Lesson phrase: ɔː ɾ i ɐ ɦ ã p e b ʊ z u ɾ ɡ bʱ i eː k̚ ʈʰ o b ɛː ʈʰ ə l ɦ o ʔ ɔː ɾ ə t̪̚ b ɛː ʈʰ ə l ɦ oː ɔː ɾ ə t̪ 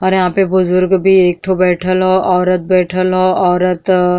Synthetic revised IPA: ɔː ɾ j ɐ ɦ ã p e b ʊ z ʊ ɾ ɡ bʱ i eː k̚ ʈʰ o b ɛː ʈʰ ə l ɦ o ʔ ɔː ɾ ə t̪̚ b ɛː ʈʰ ə l ɦ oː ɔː ɾ ə t̪